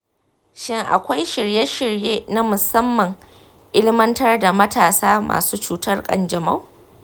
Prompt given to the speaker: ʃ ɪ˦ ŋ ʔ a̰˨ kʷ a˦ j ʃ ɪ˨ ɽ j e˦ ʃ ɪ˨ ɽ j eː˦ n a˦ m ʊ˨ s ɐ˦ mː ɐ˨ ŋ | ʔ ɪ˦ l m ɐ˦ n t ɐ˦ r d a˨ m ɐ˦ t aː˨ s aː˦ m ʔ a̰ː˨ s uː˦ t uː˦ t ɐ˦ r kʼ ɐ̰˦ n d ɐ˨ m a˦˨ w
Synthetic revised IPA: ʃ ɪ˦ ŋ ʔ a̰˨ kʷ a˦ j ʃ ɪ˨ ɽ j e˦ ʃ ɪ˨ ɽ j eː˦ n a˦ m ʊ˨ s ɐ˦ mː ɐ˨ ŋ | ʔ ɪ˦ l m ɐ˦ n t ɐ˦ r d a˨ m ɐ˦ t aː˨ s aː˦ m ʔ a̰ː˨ s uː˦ t͡ʃ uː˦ t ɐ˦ r kʼ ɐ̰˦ n d͡ʒ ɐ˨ m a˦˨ w